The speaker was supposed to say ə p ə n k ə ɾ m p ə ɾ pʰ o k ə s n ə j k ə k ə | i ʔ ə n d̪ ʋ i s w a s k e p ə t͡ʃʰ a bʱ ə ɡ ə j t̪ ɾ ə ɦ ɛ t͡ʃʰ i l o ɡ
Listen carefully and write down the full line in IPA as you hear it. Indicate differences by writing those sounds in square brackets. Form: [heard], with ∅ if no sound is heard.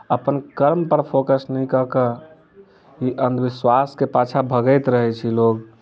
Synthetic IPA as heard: ə p ə n k ə ɾ m p ə ɾ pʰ o k ə s n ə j k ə k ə | i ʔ ə n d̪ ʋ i s w a s k e p [a] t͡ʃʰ a bʱ ə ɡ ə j t̪ ɾ ə ɦ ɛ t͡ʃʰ i l o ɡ